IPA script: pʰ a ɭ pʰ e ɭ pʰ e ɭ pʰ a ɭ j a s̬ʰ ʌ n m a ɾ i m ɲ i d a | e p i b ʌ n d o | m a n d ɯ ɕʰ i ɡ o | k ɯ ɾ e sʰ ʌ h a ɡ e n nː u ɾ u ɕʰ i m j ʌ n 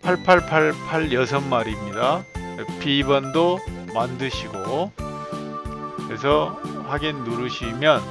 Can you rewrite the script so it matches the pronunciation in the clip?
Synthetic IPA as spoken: pʰ a ɭ pʰ a ɭ pʰ a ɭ pʰ a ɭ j ʌ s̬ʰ ʌ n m a ɾ i m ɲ i d a | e p i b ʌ n d o | m a n d ɯ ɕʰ i ɡ o | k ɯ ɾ e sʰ ʌ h a ɡ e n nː u ɾ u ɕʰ i m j ʌ n

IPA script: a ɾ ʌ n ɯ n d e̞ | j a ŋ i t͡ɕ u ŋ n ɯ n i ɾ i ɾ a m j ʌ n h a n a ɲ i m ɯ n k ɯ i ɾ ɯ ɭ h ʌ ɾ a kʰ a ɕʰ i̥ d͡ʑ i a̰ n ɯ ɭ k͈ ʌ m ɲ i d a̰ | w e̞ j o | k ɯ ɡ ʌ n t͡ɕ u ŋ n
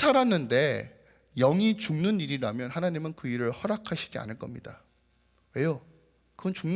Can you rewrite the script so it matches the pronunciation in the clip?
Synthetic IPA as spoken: a ɾ a n ɯ n d e̞ | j ʌ ŋ i t͡ɕ u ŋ n ɯ n i ɾ i ɾ a m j ʌ n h a n a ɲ i m ɯ n k ɯ i ɾ ɯ ɭ h ʌ ɾ a kʰ a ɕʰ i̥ d͡ʑ i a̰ n ɯ ɭ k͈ ʌ m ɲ i d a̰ | w e̞ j o | k ɯ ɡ ʌ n t͡ɕ u ŋ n

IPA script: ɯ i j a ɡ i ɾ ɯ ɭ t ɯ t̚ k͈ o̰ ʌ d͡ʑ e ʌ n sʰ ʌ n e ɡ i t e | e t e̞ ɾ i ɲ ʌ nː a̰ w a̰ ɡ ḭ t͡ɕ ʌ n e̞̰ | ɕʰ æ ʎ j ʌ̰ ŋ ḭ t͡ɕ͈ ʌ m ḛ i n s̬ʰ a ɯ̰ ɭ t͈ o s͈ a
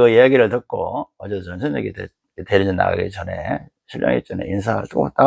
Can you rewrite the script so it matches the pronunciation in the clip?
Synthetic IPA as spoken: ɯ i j a ɡ i ɾ ɯ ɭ t ɯ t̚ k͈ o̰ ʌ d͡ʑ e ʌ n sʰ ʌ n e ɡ i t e | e t e̞ ɾ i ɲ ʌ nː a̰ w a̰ ɡ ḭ t͡ɕ ʌ n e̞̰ | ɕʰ i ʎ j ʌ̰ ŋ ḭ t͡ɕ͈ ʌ n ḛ i n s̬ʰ a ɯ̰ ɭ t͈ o t͈ a

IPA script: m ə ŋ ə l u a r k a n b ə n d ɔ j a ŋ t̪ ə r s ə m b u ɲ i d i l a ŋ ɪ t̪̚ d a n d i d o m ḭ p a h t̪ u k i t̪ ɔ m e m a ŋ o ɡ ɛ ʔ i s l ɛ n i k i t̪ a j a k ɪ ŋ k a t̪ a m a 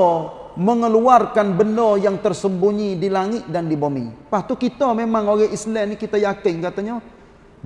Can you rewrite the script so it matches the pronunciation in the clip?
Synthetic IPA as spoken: m ə ŋ ə l u a r k a n b ə n d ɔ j a ŋ t̪ ə r s ə m b u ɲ i d i l a ŋ ɪ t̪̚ d a n d i b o m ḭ p a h t̪ u k i t̪ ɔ m e m a ŋ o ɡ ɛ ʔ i s l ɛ n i k i t̪ a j a k ɪ ŋ k a t̪ a ɲ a

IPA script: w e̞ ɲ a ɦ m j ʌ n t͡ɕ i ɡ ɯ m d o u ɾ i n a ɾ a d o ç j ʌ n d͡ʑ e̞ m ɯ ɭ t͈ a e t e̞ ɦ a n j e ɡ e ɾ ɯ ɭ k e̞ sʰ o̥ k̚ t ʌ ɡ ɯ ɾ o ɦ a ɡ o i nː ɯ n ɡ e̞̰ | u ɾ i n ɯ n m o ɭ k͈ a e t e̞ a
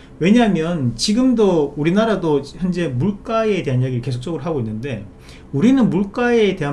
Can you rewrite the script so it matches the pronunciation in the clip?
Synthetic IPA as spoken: w e̞ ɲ a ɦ m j ʌ n t͡ɕ i ɡ ɯ m d o u ɾ i n a ɾ a d o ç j ʌ n d͡ʑ e̞ m u ɭ k͈ a e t e̞ ɦ a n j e ɡ i ɾ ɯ ɭ k e̞ sʰ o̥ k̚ t͡ɕ͈ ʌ ɡ ɯ ɾ o ɦ a ɡ o i nː ɯ n d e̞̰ | u ɾ i n ɯ n m u ɭ k͈ a e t e̞ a

